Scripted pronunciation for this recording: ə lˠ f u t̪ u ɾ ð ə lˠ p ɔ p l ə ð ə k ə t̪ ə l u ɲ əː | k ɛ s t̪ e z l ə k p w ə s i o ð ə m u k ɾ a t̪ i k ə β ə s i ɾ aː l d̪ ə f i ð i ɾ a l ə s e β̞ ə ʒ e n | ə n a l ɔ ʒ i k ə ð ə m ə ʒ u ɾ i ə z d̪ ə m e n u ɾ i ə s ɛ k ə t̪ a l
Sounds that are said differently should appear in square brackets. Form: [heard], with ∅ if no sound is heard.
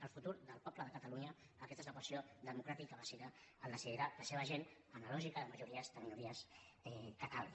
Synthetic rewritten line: ə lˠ f u t̪ u ɾ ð ə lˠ p ɔ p l ə ð ə k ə t̪ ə l u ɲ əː | k ɛ s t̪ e z l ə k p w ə s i o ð ə m u k ɾ a t̪ i k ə β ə s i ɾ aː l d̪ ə [s] i ð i ɾ a l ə s e β̞ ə ʒ e n | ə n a l ɔ ʒ i k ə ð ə m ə ʒ u ɾ i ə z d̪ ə m [i] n u ɾ i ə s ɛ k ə t̪ a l